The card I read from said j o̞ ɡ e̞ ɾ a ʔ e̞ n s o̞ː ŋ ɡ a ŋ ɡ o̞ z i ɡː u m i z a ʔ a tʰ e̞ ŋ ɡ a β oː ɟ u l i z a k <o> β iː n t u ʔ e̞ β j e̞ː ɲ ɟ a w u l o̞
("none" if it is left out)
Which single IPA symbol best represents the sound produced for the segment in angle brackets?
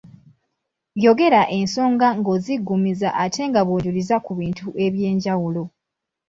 u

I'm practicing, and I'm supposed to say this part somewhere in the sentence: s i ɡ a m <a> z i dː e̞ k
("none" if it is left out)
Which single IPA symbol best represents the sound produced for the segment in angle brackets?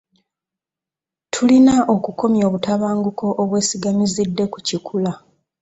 i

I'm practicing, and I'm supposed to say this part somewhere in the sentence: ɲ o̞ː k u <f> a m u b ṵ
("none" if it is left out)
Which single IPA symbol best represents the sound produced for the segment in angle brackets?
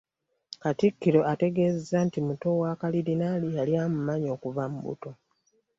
v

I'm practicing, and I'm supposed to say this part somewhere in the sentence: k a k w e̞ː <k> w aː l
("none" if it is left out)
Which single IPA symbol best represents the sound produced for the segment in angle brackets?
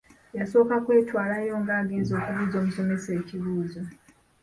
t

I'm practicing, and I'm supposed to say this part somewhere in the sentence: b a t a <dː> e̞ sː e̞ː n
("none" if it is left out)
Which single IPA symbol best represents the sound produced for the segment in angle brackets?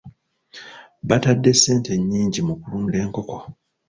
dː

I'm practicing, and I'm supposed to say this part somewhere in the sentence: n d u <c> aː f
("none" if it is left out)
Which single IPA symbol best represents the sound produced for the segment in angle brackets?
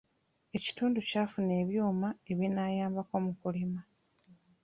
c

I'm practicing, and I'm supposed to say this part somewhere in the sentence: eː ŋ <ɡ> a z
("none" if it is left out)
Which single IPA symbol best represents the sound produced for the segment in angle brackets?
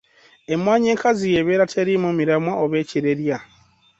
k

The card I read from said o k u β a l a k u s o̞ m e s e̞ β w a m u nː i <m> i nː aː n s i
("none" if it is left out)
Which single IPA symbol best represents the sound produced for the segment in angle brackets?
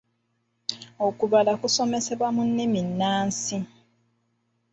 m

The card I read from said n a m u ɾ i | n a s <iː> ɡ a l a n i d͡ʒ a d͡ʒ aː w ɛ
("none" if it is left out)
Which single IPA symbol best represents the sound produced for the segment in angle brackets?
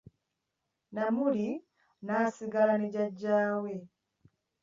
i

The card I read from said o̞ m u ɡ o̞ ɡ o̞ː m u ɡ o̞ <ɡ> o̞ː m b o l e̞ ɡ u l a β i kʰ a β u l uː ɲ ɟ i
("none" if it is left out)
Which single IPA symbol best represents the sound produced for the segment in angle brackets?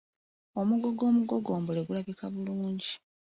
ɡ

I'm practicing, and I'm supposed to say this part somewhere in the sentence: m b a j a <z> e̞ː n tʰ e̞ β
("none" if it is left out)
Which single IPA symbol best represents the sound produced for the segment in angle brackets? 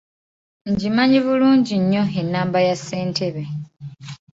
s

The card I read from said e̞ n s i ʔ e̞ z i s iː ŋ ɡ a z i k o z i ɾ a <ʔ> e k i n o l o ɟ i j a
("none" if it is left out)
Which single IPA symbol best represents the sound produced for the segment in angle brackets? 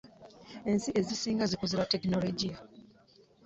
t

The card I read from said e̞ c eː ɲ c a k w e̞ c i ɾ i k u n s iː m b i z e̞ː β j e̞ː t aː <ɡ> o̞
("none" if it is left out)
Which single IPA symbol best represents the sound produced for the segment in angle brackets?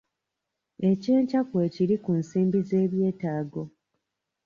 ɡ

